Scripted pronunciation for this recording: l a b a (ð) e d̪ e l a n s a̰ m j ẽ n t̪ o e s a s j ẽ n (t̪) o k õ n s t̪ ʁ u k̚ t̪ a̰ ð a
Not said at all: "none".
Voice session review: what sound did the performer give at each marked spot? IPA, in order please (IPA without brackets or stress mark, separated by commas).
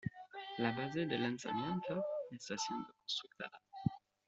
z, d̪